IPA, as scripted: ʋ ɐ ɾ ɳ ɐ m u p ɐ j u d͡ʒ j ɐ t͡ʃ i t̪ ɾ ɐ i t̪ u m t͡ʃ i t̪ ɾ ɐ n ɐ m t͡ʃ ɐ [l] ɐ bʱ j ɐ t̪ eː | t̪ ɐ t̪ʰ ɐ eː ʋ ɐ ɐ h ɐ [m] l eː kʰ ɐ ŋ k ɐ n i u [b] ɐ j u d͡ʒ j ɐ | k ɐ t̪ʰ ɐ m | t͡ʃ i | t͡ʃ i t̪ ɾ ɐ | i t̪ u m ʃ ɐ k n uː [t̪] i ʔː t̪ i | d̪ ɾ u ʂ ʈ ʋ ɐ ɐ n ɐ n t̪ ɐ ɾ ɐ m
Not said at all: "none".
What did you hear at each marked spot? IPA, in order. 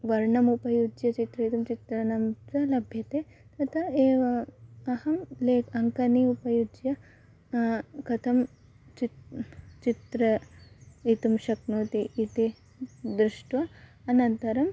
l, m, p, t̪

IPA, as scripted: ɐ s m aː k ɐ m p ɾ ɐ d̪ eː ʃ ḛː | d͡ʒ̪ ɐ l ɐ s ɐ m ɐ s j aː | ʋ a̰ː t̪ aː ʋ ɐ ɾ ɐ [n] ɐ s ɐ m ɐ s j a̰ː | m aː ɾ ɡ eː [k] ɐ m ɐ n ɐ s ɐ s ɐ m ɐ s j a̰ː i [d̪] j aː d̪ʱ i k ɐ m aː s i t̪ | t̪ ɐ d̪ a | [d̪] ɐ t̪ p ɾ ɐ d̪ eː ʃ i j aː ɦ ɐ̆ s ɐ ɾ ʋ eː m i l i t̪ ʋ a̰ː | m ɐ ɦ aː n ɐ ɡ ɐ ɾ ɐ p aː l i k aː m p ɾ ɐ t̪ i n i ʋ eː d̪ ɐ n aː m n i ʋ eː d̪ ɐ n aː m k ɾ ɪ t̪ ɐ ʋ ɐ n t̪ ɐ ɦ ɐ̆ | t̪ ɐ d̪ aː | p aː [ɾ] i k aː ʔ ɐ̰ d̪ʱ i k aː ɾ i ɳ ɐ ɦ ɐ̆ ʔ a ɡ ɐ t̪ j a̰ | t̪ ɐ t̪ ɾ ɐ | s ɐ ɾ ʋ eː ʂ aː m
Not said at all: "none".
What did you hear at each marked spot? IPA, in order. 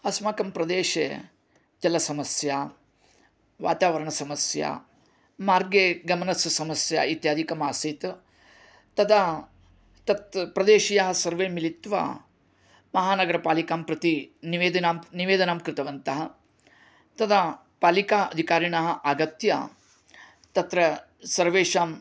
ɳ, ɡ, t̪, t̪, l

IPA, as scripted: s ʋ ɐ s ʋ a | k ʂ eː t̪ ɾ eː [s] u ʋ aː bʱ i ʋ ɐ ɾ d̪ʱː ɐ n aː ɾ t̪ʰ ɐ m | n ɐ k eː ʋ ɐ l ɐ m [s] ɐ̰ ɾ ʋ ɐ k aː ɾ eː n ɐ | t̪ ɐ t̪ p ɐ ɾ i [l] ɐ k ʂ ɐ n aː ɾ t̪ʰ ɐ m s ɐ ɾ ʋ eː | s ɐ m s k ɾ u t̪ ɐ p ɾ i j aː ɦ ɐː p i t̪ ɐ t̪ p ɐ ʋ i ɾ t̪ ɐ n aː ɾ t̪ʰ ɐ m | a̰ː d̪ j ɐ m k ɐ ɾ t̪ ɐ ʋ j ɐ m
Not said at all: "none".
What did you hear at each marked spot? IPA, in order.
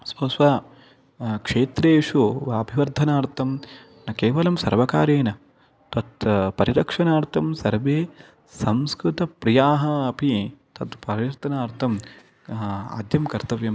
ʂ, s, ɾ

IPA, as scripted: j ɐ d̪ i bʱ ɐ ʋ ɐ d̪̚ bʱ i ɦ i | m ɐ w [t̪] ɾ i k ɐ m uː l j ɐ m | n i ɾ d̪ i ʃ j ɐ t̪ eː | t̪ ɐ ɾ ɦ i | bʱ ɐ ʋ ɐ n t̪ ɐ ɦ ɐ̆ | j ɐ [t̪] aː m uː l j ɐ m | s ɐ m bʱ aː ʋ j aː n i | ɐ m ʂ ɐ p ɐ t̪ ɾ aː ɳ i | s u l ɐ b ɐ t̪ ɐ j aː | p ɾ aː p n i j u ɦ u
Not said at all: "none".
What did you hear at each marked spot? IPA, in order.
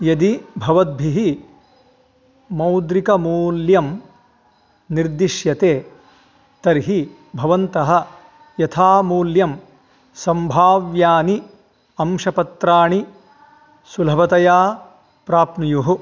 d̪, t̪ʰ

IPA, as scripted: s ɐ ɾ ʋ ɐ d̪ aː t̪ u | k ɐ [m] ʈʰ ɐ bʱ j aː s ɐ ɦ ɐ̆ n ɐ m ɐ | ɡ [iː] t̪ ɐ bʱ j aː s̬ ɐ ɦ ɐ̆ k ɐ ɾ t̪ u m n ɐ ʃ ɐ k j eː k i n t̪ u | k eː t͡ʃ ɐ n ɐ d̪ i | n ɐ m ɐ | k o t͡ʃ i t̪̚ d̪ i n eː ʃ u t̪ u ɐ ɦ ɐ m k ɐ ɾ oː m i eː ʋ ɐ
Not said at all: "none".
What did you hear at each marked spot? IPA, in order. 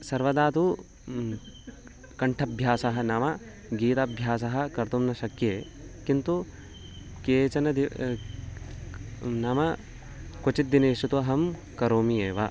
ɳ, iː

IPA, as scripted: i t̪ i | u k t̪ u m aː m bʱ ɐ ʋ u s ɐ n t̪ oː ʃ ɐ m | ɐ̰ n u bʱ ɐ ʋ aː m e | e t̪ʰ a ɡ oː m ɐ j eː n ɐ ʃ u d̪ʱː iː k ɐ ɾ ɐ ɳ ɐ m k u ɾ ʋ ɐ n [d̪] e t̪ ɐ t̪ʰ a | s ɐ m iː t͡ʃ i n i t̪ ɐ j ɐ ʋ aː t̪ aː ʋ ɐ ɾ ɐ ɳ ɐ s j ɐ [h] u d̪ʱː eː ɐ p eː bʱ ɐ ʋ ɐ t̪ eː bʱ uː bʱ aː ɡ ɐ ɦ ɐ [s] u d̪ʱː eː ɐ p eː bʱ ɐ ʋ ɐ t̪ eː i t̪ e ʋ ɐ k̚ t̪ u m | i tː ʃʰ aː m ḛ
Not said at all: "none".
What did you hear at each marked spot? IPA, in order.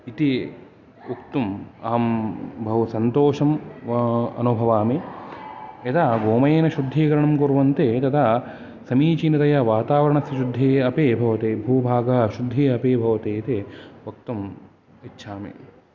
t̪, ʃ, ʃ

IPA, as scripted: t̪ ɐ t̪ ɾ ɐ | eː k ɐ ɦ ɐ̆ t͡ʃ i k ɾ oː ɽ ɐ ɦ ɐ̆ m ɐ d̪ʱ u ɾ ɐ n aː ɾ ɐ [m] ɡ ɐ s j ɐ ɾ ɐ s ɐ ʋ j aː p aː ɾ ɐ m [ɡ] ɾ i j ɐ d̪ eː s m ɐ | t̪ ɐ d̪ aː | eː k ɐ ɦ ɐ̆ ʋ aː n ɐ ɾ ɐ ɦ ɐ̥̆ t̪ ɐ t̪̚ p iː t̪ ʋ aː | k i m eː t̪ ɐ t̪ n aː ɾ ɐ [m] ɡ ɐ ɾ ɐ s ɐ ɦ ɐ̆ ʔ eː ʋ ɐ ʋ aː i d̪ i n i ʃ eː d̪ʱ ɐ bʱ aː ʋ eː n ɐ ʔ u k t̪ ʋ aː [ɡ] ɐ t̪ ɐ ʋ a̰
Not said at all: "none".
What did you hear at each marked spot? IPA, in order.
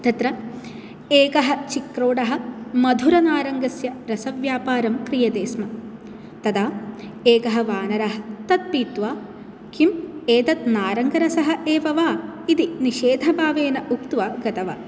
ŋ, k, ŋ, ɡ

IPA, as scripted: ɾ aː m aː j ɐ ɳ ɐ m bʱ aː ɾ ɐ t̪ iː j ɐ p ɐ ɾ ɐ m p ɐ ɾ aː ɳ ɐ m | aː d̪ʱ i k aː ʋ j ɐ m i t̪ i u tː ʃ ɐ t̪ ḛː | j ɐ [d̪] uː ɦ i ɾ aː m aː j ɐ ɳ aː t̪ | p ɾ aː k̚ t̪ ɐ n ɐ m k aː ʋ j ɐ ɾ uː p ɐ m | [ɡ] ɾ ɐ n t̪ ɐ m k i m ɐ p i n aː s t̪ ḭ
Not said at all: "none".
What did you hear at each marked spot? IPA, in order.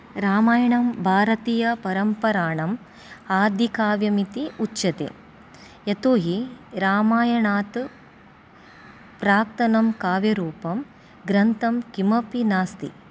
t̪, ɡ

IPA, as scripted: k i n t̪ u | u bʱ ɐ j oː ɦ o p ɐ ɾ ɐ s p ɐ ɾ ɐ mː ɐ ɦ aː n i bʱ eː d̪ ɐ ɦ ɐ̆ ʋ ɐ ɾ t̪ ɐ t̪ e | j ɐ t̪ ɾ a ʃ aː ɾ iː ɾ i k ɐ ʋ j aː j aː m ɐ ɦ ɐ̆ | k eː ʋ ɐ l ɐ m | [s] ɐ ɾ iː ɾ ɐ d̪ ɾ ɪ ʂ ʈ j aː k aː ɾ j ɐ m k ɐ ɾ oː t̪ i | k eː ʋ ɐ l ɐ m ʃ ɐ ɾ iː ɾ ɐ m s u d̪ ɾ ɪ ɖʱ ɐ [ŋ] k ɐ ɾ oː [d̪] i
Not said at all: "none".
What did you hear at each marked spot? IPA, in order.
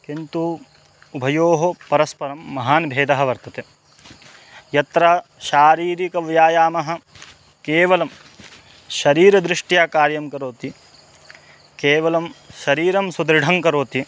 ʃ, ŋ, t̪

